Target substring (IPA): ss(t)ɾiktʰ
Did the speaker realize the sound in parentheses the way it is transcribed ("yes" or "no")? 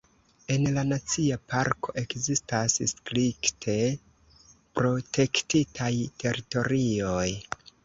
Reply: no